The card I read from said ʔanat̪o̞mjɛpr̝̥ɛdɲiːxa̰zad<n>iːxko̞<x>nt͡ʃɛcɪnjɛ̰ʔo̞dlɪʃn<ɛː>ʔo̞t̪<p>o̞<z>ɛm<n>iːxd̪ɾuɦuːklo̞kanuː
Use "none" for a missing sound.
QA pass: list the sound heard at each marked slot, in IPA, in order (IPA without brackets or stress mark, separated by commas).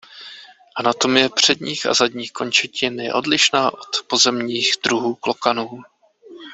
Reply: ɲ, none, aː, p, z, ɲ